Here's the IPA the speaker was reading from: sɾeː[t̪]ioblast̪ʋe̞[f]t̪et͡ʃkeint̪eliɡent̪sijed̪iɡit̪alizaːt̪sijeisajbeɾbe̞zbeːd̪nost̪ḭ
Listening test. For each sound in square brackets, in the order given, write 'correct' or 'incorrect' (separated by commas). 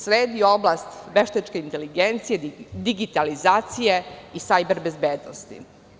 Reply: incorrect, incorrect